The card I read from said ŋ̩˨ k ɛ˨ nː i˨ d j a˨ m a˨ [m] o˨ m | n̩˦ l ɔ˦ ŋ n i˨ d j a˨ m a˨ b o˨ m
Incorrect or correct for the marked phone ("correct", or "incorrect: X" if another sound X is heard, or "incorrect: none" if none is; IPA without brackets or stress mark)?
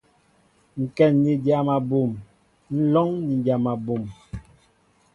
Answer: incorrect: b